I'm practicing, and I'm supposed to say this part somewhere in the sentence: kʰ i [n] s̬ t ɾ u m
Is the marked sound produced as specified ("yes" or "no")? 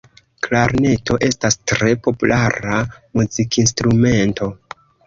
yes